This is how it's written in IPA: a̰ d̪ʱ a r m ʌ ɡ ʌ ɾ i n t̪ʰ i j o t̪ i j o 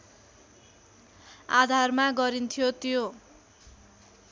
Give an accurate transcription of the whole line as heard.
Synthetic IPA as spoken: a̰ d̪ʱ a r m a ɡ ʌ ɾ i n t̪ʰ i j o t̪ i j o